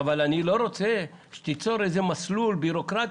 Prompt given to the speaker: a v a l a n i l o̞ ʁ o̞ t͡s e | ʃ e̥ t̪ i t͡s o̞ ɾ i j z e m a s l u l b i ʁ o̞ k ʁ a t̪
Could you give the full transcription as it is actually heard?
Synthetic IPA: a v a l a n i l o̞ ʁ o̞ t͡s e | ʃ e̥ t̪ i t͡s o̞ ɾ e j z e m a s l u l b i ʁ o̞ k ʁ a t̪